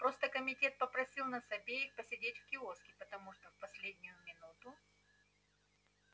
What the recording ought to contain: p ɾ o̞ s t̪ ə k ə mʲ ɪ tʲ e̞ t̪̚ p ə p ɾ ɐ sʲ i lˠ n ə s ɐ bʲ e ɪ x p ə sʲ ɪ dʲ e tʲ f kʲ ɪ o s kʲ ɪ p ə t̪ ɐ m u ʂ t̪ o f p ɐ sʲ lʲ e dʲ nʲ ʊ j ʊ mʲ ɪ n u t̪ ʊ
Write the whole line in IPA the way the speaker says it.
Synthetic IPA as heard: p ɾ o̞ s t̪ ə k ə mʲ ɪ tʲ e̞ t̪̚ p ə p ɾ ɐ sʲ i lˠ n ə s ɐ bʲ e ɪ x p ə sʲ ɪ dʲ e tʲ f kʲ ɪ o s kʲ ɪ p ə t̪ ɐ m u ʂ t̪ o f p ɐ sʲ lʲ e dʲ nʲ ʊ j ʊ mʲ ɪ n u t̪ ʊ